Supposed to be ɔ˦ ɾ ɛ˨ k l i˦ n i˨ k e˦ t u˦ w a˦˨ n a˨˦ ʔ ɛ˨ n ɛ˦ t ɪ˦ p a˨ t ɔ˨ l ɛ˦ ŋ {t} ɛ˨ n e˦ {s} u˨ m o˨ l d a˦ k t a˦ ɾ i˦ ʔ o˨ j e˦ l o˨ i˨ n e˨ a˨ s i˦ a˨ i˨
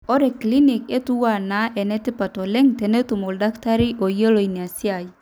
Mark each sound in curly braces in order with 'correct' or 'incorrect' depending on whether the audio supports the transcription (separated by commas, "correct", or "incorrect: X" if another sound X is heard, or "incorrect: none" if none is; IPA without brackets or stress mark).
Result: correct, incorrect: t